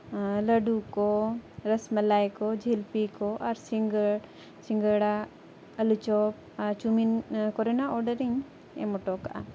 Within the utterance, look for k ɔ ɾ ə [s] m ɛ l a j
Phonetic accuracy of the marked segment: correct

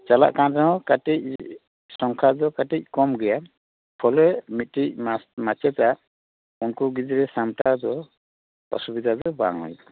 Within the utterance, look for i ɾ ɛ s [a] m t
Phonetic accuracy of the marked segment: correct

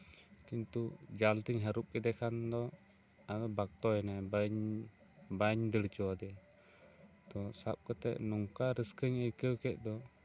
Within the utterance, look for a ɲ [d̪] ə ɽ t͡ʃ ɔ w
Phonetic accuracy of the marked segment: correct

